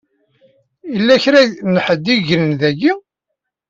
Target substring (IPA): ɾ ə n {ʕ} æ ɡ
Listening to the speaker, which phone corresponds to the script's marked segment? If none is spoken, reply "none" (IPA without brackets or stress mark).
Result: ð